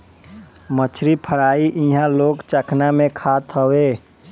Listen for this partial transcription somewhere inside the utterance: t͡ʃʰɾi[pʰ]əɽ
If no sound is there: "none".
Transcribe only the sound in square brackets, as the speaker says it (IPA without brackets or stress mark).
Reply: pʰ